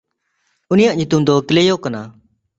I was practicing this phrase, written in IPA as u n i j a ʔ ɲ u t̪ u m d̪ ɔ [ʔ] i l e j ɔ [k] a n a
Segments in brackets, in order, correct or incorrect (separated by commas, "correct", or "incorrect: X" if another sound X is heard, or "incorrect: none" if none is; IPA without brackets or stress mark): incorrect: k, correct